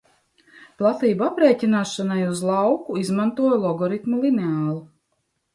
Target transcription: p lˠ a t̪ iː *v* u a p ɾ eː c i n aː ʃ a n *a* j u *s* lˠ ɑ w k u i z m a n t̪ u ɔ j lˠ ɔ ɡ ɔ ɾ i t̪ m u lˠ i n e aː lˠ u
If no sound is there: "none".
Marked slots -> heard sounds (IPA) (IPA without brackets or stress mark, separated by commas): b, a, z